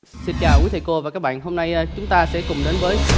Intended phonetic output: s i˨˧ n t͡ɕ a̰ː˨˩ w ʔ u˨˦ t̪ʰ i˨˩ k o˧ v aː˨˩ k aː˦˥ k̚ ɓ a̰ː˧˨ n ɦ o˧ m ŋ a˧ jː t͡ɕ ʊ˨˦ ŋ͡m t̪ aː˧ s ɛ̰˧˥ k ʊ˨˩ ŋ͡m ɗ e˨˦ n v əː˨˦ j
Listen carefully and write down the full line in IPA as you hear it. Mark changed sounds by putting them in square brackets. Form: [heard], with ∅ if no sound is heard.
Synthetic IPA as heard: s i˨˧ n t͡ɕ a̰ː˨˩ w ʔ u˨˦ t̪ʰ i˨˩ k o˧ v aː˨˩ k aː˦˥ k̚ ɓ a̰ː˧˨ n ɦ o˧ m [n] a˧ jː t͡ɕ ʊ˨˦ ŋ͡m t̪ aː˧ s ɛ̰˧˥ k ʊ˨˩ ŋ͡m ɗ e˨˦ n v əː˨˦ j